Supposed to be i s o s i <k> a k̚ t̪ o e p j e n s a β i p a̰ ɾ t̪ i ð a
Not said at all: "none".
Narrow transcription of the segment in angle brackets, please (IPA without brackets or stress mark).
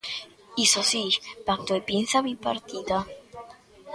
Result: p